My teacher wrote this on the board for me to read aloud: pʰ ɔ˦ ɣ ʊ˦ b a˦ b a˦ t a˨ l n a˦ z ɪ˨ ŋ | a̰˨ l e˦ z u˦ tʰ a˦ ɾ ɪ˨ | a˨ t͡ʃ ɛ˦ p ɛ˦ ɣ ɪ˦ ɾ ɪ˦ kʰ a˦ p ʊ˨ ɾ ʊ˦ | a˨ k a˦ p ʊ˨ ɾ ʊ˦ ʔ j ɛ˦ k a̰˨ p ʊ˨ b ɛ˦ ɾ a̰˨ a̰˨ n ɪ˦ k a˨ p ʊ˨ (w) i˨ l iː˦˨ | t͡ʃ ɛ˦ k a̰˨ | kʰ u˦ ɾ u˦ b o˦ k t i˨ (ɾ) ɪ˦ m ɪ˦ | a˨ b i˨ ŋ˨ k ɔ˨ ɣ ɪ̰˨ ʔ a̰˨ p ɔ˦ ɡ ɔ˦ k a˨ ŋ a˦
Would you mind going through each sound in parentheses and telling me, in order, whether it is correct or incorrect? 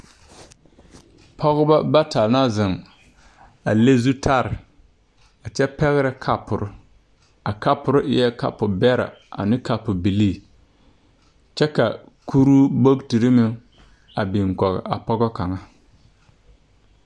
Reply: incorrect: b, correct

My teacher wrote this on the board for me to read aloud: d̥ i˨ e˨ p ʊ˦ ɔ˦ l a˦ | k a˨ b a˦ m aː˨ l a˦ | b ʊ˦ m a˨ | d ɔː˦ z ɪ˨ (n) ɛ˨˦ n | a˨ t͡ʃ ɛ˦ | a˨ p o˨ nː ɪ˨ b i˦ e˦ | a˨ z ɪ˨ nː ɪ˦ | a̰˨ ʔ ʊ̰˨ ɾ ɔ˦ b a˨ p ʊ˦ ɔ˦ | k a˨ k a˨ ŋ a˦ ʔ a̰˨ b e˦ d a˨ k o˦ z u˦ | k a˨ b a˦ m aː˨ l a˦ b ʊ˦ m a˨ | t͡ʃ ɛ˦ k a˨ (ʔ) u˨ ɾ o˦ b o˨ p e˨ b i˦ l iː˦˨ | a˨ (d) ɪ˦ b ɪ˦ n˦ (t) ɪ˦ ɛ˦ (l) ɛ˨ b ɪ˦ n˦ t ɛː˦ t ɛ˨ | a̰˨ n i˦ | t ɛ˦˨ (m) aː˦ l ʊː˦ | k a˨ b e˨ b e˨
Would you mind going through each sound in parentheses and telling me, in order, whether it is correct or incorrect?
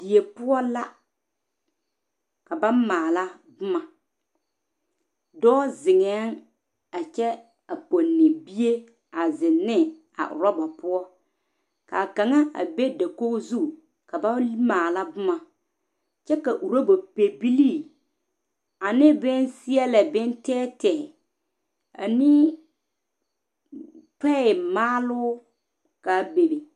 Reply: incorrect: ŋ, correct, incorrect: n, incorrect: s, correct, correct

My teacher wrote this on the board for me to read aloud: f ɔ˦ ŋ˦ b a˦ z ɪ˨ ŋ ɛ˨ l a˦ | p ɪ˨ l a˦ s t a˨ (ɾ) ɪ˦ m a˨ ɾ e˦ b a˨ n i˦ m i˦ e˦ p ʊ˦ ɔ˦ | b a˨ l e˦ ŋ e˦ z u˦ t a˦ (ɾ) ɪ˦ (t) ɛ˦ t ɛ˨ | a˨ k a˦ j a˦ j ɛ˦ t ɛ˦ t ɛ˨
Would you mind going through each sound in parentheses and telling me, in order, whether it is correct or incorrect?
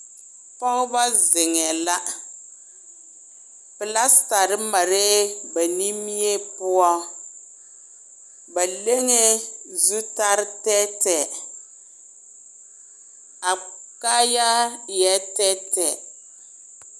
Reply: correct, correct, correct

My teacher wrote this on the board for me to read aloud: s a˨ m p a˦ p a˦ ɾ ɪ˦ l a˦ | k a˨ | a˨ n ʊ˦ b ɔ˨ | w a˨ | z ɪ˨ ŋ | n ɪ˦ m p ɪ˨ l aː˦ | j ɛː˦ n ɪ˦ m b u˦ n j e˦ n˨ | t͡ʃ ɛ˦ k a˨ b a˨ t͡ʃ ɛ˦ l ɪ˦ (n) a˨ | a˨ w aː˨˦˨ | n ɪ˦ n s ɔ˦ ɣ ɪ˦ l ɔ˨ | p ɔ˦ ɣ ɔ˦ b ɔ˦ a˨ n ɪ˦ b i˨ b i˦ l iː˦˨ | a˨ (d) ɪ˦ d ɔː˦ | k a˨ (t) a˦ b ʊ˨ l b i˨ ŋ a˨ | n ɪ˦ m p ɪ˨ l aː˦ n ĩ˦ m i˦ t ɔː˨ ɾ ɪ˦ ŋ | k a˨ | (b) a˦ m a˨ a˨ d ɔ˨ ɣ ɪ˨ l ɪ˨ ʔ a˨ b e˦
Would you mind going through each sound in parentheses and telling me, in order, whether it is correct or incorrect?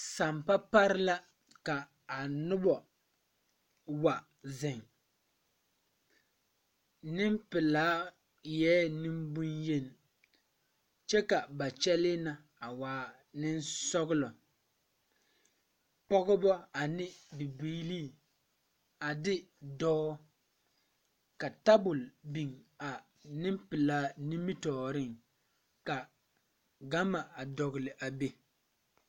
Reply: correct, correct, correct, incorrect: ɡ

